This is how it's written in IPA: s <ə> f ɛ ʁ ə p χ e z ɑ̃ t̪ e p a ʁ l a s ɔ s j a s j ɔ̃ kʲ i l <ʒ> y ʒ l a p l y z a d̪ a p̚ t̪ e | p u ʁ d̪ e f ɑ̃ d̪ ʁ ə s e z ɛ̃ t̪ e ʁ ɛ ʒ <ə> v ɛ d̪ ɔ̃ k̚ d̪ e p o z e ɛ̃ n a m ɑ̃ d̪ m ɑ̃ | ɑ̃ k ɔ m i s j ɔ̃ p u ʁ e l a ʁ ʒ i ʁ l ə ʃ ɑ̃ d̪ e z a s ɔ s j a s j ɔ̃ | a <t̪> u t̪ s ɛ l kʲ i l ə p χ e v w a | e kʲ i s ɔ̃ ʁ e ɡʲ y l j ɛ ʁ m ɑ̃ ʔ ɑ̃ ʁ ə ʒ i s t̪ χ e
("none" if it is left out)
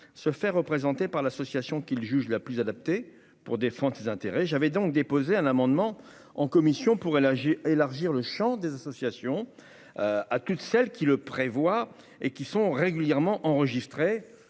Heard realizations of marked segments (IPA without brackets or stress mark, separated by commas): ə, ʒ, a, t̪